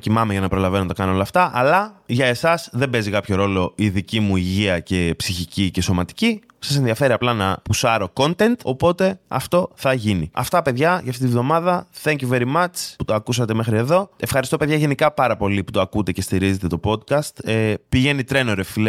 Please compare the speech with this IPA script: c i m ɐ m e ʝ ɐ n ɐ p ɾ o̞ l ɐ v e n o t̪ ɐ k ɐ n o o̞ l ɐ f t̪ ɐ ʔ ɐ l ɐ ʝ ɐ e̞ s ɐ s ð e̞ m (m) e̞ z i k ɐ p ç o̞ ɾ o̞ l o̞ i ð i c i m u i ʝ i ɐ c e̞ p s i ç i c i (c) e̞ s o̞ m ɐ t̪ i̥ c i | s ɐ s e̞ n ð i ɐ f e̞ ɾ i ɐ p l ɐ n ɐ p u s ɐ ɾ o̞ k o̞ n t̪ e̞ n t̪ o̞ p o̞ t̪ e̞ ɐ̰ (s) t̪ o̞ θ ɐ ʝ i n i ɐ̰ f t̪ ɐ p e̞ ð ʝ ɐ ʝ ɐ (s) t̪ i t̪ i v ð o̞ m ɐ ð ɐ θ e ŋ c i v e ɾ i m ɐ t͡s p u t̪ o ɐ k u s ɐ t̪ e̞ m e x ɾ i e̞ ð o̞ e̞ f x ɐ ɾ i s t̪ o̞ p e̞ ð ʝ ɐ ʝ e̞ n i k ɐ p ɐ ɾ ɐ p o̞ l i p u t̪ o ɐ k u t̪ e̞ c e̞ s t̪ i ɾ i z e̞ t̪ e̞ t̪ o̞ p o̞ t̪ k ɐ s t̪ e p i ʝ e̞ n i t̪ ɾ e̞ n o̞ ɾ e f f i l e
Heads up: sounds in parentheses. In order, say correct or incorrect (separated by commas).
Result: incorrect, correct, incorrect, incorrect